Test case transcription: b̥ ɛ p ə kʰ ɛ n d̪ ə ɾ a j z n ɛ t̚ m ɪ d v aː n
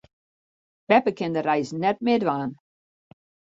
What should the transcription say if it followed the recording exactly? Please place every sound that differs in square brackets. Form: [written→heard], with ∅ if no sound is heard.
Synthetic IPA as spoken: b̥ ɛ p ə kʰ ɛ n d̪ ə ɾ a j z n ɛ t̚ m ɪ d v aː n